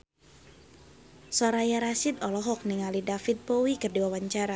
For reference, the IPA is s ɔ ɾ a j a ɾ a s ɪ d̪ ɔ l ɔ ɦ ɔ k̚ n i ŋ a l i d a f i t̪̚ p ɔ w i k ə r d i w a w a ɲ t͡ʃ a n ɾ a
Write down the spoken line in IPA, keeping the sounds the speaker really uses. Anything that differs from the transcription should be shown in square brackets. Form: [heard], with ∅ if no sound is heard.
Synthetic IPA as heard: s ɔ ɾ a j a ɾ a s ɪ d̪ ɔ l ɔ ɦ ɔ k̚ n i ŋ a l i d a f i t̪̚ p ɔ w i k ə r d i w a w a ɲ t͡ʃ a [∅] ɾ a